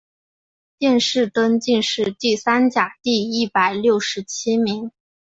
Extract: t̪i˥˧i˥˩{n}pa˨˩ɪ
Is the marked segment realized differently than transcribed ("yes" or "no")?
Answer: yes